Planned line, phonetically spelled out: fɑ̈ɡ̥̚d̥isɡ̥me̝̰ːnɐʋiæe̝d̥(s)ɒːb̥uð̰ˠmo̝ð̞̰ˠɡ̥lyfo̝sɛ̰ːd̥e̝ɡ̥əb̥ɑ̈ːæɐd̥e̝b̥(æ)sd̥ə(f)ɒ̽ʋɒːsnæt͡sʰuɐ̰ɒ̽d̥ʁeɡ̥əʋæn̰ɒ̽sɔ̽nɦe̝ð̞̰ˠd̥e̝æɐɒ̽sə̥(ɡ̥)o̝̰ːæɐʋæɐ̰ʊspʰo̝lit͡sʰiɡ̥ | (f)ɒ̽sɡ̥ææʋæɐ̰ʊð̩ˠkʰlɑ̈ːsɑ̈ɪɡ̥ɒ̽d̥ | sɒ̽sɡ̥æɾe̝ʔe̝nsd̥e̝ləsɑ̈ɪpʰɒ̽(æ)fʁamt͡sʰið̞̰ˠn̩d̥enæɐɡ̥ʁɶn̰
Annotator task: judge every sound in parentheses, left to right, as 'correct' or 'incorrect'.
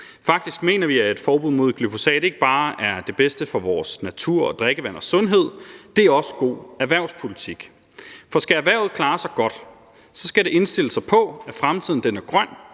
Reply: incorrect: f, incorrect: e, correct, correct, correct, correct

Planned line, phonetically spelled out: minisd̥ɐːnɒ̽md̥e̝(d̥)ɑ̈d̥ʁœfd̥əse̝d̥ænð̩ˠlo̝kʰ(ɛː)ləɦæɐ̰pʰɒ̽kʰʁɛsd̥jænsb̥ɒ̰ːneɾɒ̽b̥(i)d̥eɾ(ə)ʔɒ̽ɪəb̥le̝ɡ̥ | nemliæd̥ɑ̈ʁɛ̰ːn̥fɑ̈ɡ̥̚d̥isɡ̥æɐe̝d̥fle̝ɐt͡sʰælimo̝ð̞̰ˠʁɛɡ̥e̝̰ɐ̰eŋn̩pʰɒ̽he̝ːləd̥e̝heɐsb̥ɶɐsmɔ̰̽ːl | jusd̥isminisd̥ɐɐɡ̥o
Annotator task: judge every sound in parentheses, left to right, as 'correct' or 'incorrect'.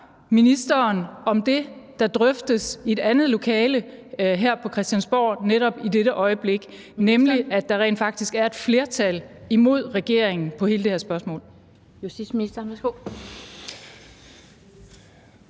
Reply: correct, correct, correct, correct

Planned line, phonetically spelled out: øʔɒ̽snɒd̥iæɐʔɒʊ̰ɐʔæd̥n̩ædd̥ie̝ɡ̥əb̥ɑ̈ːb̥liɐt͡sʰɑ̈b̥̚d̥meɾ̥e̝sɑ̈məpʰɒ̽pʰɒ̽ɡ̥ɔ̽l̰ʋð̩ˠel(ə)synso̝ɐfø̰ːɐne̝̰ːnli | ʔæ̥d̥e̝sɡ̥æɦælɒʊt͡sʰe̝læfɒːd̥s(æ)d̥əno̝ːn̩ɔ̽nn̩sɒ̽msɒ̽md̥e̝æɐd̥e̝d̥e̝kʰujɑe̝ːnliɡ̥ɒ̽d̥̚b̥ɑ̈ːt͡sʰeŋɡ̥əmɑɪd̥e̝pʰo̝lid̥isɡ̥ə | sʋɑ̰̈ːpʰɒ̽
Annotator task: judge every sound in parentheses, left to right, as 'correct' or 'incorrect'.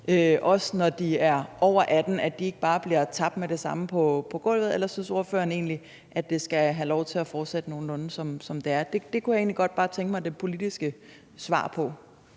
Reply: incorrect: ɐ, incorrect: e

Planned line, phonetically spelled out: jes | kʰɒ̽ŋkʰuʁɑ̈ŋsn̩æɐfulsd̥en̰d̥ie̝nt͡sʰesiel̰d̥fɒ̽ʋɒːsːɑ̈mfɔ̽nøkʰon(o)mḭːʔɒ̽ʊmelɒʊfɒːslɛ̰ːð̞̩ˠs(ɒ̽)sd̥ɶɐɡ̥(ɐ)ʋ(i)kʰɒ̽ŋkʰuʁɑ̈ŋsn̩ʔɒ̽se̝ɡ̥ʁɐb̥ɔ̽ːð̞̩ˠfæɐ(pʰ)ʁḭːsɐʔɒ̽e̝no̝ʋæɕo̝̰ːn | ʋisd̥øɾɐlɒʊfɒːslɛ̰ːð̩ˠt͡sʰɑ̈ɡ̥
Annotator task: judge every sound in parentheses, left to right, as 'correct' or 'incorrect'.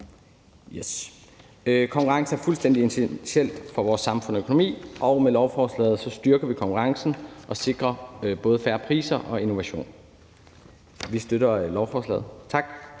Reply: correct, correct, correct, correct, correct

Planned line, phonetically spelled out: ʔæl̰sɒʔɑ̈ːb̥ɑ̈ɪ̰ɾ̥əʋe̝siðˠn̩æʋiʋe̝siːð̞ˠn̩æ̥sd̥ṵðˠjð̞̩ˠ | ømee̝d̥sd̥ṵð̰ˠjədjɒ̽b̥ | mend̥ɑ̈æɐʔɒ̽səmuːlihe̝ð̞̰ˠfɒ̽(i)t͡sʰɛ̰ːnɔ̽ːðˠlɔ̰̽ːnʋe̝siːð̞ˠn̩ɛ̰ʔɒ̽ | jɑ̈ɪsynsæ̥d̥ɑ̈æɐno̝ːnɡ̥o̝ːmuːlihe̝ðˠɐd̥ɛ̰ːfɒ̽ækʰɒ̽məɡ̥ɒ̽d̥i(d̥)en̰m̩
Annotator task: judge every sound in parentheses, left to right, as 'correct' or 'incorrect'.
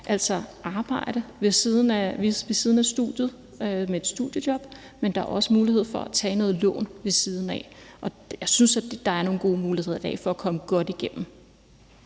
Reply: incorrect: æ, incorrect: ɡ̥

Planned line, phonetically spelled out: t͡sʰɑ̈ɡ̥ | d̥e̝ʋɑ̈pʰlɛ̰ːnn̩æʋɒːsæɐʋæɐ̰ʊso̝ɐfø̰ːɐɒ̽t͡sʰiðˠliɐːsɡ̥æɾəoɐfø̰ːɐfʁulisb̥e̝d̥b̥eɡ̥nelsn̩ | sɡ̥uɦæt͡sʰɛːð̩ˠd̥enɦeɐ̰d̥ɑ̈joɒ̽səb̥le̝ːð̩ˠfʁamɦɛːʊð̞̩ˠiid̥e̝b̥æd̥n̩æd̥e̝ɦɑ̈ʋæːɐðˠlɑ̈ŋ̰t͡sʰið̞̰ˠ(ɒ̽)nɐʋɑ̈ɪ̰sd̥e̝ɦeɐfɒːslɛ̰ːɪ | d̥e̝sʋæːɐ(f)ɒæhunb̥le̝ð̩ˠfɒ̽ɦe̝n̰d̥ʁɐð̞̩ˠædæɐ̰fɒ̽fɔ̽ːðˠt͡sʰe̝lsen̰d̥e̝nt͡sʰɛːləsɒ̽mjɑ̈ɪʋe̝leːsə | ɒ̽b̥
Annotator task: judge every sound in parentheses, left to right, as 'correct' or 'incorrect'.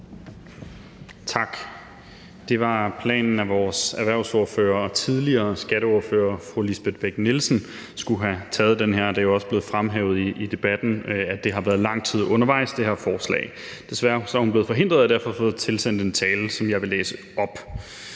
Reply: incorrect: ɔ̽, incorrect: s

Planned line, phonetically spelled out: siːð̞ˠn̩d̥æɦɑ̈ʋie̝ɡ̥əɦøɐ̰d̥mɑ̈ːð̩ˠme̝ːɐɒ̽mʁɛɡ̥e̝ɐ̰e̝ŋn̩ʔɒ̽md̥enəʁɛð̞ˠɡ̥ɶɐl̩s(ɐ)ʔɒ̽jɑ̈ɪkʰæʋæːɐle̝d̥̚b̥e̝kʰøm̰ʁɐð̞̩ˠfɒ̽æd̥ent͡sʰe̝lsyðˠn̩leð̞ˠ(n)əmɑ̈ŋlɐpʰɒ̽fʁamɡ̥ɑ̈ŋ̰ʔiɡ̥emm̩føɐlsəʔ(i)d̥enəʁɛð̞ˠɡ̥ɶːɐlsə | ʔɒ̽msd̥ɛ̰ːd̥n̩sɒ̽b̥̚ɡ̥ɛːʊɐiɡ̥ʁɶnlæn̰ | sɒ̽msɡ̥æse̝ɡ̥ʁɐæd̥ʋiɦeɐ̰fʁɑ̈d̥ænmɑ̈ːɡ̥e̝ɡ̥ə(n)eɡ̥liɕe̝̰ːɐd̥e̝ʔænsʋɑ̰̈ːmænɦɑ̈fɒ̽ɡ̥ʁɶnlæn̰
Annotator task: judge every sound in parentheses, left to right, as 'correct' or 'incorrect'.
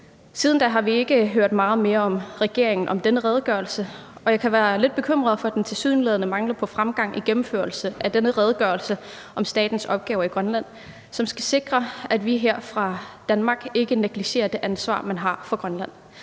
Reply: incorrect: ə, correct, incorrect: æ, correct

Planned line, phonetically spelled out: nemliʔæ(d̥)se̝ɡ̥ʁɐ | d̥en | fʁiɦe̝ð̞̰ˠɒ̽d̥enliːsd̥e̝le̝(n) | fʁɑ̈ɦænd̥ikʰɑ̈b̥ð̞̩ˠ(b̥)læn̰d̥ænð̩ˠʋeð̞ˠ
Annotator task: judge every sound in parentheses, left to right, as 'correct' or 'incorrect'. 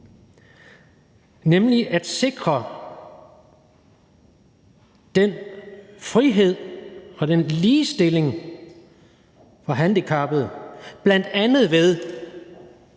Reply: correct, incorrect: ŋ, correct

